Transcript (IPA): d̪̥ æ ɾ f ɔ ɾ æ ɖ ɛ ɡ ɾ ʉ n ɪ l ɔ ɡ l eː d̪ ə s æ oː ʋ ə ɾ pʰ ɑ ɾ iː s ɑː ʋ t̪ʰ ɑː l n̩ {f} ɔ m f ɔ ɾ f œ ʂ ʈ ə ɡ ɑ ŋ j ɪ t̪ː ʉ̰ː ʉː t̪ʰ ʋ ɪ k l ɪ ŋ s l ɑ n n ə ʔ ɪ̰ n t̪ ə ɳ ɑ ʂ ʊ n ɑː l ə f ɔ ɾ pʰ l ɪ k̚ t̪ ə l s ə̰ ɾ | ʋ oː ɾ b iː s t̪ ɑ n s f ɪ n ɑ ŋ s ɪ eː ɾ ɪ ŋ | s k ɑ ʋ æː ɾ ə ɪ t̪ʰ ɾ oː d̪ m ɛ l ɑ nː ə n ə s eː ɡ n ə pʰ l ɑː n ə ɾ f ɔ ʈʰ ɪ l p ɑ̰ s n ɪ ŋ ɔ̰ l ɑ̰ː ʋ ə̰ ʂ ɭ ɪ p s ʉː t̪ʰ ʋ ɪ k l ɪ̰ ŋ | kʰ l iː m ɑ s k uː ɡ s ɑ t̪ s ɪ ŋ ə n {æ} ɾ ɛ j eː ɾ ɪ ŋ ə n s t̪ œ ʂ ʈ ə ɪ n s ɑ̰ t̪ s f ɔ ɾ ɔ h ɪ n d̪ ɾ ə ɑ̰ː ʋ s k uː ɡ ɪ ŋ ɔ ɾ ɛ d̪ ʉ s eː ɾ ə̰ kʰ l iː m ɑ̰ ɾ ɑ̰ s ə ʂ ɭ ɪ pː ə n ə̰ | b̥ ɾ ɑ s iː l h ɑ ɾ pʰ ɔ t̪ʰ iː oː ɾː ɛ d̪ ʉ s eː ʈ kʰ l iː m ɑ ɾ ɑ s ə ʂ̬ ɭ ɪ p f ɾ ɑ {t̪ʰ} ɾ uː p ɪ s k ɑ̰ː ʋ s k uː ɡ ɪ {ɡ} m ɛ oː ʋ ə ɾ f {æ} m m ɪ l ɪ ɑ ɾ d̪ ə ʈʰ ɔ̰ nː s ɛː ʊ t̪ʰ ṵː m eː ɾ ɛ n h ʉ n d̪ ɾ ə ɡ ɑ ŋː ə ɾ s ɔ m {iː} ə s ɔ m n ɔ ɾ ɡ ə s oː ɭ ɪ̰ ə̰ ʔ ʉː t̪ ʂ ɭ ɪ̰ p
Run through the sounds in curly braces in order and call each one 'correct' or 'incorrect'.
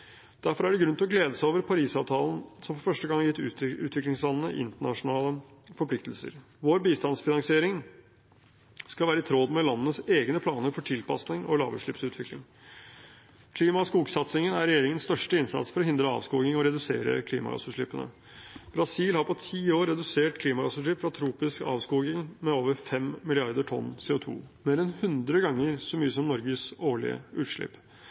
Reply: incorrect: s, correct, correct, incorrect: ŋ, incorrect: ɛ, incorrect: yː

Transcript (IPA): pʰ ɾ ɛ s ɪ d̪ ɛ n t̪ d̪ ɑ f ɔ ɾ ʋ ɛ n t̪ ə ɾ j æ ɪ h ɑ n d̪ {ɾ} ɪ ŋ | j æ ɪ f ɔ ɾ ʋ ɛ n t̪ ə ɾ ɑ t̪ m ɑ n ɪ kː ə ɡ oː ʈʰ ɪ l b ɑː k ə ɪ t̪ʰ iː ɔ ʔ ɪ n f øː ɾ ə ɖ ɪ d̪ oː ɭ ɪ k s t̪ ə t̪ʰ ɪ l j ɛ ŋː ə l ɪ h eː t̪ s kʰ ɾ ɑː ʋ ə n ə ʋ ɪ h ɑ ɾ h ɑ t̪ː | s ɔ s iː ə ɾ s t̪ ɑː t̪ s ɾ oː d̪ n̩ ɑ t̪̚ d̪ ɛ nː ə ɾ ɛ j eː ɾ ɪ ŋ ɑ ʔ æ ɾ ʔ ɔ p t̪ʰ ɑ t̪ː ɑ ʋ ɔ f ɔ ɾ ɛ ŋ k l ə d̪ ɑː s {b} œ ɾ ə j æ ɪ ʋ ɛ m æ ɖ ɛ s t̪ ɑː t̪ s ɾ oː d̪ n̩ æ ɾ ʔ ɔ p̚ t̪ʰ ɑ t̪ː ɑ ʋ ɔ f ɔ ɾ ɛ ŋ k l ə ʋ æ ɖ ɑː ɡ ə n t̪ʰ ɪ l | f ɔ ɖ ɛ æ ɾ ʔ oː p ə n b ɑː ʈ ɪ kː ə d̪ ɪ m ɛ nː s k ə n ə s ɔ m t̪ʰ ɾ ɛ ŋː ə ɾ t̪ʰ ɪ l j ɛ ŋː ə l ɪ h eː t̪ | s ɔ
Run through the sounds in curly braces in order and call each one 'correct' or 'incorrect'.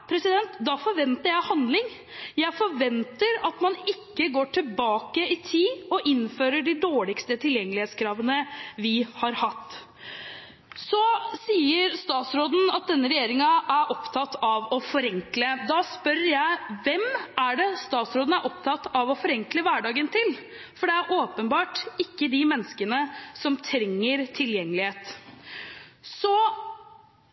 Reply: incorrect: l, incorrect: p

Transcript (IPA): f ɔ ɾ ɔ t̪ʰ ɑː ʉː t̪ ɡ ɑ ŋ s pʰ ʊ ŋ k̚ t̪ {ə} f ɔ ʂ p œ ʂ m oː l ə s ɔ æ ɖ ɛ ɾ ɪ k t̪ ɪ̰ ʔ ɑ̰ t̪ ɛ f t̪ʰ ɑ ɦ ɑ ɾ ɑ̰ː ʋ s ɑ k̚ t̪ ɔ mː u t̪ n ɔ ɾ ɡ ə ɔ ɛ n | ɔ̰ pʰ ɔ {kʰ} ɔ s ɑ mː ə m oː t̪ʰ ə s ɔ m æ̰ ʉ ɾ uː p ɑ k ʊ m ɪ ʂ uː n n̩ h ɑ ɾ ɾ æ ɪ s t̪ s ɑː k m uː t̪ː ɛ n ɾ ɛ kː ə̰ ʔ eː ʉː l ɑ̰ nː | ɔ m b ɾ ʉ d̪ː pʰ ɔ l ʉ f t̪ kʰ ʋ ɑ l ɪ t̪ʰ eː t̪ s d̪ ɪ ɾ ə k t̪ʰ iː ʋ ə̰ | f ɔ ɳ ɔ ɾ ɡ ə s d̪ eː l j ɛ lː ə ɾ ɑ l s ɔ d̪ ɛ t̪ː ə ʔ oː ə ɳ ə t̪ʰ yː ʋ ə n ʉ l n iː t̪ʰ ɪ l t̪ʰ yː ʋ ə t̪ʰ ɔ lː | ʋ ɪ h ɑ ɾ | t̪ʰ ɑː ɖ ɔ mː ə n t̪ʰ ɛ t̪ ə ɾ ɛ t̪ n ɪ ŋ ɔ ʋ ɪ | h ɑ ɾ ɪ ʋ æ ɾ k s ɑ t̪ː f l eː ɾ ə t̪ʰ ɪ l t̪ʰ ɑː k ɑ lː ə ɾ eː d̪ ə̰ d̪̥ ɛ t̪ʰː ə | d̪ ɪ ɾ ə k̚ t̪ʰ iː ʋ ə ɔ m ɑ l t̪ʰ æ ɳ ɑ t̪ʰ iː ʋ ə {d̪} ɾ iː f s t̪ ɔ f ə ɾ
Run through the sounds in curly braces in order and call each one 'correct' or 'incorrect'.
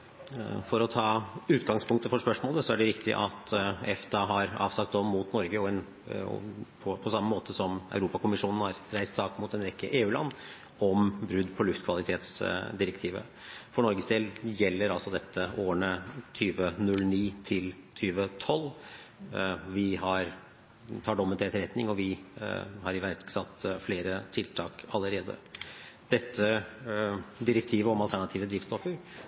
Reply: correct, incorrect: pʰ, correct

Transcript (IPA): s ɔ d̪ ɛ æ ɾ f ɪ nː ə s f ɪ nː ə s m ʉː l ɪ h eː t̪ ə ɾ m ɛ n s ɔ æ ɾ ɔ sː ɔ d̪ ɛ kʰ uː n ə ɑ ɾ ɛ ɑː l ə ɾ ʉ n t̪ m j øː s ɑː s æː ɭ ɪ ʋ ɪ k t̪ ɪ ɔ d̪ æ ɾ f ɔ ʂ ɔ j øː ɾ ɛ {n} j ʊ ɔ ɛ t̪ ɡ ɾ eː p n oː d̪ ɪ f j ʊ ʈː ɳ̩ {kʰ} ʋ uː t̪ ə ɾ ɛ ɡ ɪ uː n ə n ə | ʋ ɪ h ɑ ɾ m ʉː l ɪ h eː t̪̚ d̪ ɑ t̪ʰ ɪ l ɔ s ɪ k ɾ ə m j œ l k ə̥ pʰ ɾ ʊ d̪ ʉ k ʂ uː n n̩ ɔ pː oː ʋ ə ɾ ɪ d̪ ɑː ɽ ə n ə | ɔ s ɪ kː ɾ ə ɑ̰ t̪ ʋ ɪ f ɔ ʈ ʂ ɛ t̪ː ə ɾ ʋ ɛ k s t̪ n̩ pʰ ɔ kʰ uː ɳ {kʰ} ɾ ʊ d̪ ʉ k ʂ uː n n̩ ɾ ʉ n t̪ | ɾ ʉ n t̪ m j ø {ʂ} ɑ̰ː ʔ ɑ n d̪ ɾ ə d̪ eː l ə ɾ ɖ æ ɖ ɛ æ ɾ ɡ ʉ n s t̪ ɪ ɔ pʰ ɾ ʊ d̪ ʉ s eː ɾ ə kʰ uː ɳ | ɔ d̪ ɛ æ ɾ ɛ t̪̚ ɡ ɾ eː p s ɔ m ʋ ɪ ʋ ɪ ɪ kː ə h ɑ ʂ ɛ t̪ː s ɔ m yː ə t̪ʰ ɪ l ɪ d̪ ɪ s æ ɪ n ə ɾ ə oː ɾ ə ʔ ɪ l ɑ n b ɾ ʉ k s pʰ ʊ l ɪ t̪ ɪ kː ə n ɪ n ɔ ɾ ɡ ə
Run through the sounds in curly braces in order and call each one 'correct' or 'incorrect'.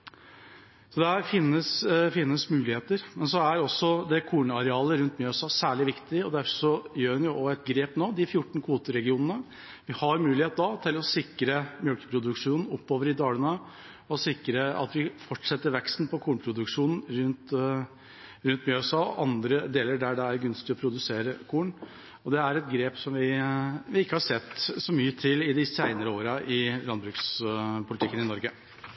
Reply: correct, correct, incorrect: pʰ, incorrect: s

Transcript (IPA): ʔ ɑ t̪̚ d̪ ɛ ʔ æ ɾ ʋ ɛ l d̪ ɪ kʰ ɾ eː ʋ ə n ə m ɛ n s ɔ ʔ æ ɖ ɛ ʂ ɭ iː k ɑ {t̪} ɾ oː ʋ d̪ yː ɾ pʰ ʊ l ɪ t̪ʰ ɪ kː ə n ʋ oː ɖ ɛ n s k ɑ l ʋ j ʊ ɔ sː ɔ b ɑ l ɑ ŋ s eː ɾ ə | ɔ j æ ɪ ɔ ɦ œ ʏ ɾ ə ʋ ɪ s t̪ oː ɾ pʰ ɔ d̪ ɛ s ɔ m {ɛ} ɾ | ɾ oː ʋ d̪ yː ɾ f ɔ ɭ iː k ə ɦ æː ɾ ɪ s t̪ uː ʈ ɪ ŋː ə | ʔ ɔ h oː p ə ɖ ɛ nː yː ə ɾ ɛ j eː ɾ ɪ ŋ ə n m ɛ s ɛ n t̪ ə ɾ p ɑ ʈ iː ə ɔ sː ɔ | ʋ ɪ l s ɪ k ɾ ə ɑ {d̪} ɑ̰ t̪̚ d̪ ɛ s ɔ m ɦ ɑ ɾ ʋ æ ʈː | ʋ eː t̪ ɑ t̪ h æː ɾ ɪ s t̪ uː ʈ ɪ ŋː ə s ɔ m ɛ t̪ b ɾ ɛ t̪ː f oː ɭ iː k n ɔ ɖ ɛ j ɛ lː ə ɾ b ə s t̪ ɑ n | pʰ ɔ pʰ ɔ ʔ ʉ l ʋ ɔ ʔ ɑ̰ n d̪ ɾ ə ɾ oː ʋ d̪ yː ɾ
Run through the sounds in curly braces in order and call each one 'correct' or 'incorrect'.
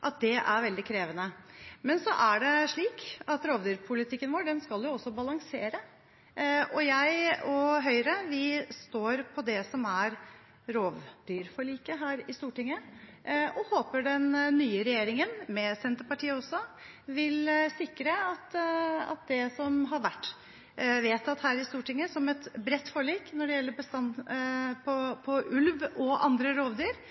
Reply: correct, incorrect: æ, incorrect: t̪

